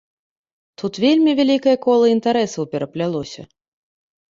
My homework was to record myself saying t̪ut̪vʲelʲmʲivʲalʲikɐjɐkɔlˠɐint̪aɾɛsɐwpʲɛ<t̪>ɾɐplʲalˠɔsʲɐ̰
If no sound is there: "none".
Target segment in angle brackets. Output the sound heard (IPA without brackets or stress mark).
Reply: none